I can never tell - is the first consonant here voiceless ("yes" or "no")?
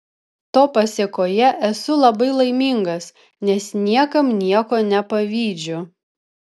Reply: yes